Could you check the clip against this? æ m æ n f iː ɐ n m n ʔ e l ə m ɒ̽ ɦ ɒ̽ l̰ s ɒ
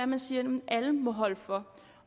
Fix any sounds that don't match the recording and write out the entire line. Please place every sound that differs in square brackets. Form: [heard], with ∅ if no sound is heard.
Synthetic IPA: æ m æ n [s] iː ɐ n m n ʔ [æ] l ə m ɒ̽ ɦ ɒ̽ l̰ [f] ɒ

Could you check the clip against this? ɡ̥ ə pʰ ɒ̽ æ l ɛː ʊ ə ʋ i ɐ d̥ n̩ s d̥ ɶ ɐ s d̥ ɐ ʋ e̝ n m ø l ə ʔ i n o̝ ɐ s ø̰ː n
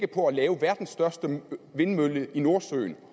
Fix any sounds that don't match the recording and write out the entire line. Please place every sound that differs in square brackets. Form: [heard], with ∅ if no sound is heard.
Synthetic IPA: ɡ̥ ə pʰ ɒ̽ æ l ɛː ʊ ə ʋ [æ] ɐ d̥ n̩ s d̥ ɶ ɐ s d̥ [ə] ʋ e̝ n m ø l ə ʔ i n o̝ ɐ s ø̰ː n

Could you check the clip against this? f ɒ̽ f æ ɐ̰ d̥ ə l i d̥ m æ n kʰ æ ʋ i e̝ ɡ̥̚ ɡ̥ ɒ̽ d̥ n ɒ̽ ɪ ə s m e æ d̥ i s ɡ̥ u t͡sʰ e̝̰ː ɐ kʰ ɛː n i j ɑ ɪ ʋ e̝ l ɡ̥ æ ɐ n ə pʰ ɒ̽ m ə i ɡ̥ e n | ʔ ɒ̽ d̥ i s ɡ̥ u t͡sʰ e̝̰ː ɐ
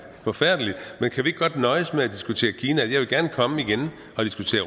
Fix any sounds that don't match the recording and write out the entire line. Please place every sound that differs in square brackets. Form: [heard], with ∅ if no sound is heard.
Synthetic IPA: f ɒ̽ f æ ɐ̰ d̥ ə l i d̥ m [e] n kʰ æ ʋ i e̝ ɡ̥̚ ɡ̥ ɒ̽ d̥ n ɒ̽ ɪ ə s m e æ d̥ i s ɡ̥ u t͡sʰ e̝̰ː ɐ kʰ [iː] n [æ] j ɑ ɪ ʋ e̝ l ɡ̥ æ ɐ n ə [kʰ] ɒ̽ m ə i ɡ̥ e n | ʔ ɒ̽ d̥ i s ɡ̥ u t͡sʰ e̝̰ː ɐ

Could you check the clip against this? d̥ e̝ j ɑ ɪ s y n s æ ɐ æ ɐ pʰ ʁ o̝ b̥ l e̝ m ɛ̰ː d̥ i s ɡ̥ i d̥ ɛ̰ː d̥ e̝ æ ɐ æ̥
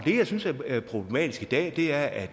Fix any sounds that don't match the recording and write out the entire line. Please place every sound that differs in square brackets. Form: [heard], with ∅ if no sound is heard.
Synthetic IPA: d̥ e̝ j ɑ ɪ s y n s æ ɐ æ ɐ pʰ ʁ o̝ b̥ l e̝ m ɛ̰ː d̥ i s ɡ̥ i d̥ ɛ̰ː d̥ e̝ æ ɐ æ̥

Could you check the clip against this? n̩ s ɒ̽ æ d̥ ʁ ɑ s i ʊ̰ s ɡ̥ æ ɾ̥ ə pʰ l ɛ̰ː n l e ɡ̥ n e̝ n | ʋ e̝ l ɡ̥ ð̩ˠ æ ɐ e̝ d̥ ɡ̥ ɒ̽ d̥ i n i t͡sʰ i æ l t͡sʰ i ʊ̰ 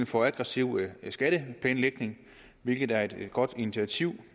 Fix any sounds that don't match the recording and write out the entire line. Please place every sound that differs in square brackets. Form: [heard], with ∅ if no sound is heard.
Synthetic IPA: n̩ [f] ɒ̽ æ [ɡ̥] ʁ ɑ s i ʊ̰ s ɡ̥ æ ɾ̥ ə pʰ l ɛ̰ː n l e ɡ̥ n e̝ [ŋ] | ʋ e̝ l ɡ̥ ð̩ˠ æ ɐ e̝ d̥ ɡ̥ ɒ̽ d̥ i n i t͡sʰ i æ [∅] t͡sʰ i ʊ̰

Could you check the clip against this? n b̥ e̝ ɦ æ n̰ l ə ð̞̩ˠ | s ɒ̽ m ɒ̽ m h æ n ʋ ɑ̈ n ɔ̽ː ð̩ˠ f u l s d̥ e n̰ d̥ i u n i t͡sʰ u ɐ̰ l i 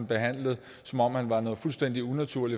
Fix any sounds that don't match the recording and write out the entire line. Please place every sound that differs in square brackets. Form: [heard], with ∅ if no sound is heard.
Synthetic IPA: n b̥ e̝ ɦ æ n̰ l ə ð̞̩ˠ | s ɒ̽ m ɒ̽ m h æ n ʋ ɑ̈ n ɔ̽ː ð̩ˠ f u l s d̥ e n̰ d̥ i u n [æ] t͡sʰ u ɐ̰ l i

